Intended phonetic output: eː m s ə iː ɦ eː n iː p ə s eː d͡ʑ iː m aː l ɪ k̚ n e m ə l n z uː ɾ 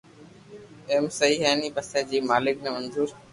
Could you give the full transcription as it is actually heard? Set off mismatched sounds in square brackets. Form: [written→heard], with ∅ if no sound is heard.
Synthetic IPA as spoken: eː m s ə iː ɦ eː n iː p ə s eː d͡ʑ iː m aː l ɪ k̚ n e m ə [l→∅] n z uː ɾ